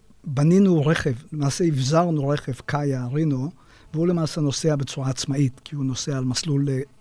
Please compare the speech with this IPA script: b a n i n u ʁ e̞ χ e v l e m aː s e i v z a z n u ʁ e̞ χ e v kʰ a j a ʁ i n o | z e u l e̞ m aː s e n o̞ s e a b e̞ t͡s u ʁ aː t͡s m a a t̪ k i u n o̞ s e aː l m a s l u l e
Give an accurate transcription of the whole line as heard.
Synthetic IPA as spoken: b a n i n u ʁ e̞ χ e v l e m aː s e i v z a ʁ n u ʁ e̞ χ e v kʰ a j a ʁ i n o | v e u l e̞ m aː s e n o̞ s e a b e̞ t͡s u ʁ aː t͡s m a i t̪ k i u n o̞ s e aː l m a s l u l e